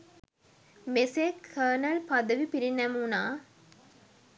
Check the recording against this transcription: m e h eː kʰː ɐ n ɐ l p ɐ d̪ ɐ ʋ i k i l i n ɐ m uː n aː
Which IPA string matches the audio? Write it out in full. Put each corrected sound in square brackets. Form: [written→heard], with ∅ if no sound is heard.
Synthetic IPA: m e [h→s] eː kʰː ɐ n ɐ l p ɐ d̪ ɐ ʋ i [k→p] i [l→ɾ] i n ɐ m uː n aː